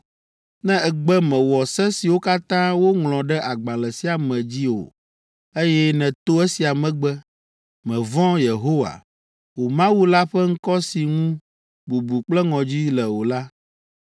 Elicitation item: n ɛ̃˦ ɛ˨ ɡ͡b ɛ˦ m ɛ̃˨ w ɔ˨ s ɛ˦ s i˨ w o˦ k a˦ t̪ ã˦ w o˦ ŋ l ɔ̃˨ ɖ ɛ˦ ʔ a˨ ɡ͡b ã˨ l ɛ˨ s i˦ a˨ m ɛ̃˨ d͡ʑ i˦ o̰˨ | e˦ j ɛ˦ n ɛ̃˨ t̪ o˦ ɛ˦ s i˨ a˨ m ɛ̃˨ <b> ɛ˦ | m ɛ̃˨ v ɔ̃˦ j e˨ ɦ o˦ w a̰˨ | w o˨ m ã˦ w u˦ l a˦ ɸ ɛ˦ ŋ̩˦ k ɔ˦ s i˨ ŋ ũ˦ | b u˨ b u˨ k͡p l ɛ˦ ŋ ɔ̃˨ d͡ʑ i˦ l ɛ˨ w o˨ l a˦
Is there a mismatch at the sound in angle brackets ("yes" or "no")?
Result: yes